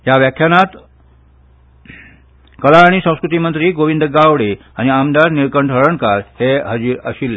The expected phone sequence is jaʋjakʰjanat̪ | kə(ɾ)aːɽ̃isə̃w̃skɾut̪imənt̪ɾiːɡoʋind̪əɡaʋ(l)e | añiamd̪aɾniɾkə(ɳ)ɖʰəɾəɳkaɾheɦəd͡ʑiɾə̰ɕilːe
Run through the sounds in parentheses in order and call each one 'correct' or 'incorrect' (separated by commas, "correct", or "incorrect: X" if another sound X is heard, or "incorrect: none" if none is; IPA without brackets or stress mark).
incorrect: l, incorrect: ɽ, correct